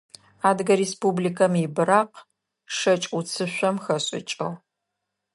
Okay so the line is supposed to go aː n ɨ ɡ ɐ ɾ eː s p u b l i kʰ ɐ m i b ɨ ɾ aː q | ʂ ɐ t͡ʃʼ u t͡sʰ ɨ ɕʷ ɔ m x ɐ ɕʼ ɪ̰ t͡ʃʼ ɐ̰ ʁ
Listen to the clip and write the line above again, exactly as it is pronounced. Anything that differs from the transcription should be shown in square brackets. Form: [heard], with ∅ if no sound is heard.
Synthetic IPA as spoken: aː [d] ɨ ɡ ɐ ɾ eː s p u b l i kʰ ɐ m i b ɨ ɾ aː q | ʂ ɐ t͡ʃʼ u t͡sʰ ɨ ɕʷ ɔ m x ɐ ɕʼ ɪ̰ t͡ʃʼ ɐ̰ ʁ